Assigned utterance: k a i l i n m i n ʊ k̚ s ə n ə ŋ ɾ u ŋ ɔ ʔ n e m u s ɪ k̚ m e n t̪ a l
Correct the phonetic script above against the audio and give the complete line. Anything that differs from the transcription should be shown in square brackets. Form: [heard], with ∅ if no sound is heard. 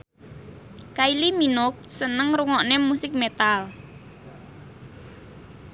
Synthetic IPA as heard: k a i l i [∅] m i n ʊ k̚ s ə n ə ŋ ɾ u ŋ ɔ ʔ n e m u s ɪ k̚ m e [∅] t̪ a l